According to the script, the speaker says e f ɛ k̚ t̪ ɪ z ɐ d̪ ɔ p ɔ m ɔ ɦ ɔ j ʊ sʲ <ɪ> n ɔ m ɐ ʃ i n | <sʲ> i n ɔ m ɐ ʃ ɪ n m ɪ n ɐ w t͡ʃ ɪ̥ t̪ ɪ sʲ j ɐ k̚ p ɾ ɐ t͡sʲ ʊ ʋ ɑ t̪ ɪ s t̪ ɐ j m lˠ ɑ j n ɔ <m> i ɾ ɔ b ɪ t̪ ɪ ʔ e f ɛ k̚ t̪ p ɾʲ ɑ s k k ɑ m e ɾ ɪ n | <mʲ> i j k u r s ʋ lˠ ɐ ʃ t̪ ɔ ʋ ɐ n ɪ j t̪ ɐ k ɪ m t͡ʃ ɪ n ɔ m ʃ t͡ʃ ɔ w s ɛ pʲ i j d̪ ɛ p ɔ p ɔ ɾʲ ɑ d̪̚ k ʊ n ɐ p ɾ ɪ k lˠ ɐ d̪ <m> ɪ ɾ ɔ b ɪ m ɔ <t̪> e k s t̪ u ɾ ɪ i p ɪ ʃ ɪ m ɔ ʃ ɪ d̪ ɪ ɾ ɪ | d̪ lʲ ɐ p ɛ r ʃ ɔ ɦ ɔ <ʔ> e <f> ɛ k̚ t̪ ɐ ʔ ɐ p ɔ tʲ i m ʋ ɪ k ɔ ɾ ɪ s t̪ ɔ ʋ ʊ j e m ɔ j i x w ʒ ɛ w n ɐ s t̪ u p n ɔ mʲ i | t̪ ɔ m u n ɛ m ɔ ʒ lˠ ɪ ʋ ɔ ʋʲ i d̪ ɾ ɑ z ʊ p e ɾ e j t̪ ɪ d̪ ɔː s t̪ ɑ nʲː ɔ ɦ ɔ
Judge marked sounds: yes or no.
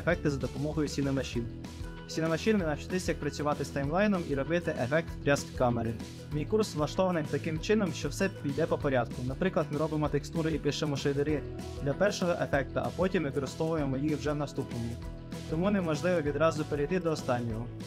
no, yes, yes, yes, yes, yes, yes, yes

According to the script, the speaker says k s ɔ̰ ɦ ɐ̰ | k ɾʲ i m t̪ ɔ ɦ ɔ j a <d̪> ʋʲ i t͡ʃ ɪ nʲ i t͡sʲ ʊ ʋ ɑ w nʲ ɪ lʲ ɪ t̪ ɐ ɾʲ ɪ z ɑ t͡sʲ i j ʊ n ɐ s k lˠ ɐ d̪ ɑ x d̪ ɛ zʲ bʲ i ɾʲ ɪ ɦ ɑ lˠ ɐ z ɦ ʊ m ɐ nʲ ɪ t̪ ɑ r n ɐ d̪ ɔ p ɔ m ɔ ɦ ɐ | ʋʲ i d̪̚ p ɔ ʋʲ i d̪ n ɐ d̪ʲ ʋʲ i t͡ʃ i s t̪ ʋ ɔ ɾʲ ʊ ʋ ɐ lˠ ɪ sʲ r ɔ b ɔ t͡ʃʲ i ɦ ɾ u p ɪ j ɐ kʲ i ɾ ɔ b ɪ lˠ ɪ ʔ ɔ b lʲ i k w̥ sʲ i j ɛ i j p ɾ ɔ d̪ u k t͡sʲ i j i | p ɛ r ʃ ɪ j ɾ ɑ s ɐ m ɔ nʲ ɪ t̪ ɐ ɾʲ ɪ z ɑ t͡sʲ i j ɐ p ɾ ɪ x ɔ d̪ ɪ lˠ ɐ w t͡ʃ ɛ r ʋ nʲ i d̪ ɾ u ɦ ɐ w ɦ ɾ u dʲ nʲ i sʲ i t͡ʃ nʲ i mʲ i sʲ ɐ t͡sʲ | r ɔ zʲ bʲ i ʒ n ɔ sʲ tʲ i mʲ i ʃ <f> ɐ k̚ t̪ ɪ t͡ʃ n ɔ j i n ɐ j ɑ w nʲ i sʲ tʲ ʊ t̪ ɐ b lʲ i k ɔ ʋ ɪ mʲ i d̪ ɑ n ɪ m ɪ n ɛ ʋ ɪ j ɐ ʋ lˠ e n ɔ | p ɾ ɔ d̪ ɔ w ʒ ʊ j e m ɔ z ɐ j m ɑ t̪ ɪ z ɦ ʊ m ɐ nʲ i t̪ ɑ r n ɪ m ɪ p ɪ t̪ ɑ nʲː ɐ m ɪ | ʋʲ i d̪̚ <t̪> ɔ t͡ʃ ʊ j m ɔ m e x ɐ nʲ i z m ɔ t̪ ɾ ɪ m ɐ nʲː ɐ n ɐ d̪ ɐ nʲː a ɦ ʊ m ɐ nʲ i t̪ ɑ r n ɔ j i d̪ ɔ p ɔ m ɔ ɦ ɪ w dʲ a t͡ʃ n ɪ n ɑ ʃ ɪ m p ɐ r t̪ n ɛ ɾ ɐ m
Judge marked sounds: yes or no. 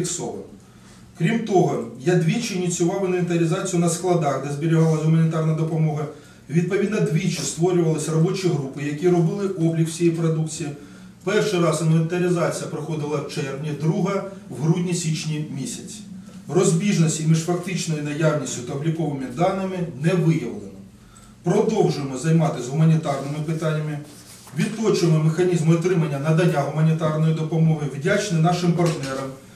yes, yes, yes

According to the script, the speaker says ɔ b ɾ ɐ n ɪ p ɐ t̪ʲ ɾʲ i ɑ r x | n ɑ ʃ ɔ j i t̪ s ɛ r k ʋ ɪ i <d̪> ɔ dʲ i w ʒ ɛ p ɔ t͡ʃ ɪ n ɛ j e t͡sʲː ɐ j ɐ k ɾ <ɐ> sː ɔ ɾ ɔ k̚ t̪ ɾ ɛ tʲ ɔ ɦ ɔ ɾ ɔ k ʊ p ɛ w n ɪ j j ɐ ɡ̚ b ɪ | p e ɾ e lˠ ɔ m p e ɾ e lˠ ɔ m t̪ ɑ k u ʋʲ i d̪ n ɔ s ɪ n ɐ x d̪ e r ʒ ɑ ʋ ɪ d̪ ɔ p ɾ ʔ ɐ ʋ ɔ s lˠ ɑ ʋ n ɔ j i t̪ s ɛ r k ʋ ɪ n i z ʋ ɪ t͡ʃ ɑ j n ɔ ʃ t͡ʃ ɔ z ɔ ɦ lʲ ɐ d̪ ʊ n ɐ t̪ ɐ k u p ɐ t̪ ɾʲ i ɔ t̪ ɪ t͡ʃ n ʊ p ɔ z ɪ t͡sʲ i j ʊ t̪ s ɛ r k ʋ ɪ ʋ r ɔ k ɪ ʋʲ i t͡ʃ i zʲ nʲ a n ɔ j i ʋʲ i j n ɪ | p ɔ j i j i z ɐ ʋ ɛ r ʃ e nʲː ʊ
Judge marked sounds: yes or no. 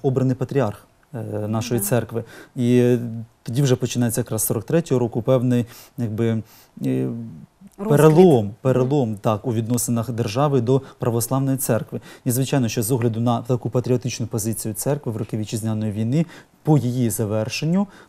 no, no

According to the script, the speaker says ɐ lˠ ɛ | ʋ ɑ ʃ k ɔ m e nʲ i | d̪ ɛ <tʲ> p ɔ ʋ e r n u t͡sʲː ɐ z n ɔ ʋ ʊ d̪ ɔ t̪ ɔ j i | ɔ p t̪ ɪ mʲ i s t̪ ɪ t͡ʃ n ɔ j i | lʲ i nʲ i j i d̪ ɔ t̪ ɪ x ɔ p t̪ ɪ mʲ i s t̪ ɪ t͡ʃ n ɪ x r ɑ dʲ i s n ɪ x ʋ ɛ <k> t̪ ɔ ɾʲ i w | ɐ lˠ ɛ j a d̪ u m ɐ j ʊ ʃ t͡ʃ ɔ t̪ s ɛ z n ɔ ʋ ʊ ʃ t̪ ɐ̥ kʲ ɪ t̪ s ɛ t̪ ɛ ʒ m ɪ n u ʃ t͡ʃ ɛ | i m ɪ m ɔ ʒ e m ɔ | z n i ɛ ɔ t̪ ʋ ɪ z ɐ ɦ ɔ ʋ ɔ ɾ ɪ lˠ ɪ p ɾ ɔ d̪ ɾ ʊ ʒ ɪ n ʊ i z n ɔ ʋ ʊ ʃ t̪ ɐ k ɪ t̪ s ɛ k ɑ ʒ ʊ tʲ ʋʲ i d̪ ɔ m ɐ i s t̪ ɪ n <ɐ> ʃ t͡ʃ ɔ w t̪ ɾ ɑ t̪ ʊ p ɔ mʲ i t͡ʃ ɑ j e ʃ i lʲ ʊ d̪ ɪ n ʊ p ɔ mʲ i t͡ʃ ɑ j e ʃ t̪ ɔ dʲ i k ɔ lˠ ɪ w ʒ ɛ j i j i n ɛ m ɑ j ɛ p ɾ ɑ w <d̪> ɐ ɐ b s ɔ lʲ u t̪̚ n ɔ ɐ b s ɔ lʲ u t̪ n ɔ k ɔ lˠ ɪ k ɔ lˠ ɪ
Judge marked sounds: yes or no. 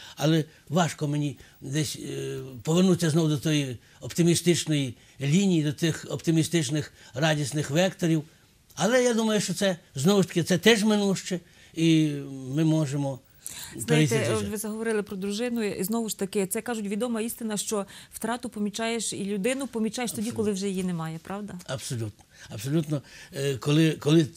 no, yes, yes, yes

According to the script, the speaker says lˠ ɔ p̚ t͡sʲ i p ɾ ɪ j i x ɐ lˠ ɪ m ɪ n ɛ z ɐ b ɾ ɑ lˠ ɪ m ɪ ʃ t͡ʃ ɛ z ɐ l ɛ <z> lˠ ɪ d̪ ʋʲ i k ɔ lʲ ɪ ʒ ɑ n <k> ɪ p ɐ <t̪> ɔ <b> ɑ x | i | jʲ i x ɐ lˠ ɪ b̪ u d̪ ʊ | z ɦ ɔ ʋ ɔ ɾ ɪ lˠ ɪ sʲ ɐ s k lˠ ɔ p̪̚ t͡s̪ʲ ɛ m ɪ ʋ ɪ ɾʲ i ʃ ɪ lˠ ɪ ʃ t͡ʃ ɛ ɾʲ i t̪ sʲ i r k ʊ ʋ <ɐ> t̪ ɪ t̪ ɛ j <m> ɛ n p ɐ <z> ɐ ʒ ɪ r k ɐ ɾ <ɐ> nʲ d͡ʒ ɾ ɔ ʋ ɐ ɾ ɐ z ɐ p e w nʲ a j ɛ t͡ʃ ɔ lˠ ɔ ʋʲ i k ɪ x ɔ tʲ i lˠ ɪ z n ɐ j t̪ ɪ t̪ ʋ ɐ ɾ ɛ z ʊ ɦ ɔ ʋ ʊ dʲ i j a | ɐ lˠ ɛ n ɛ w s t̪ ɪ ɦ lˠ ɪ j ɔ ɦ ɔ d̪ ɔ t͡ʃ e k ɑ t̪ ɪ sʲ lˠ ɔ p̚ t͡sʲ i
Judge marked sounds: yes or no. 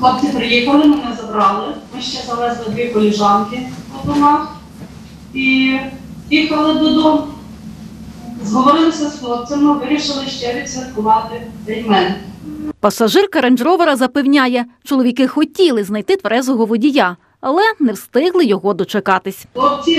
yes, yes, no, no, no, yes, no, yes

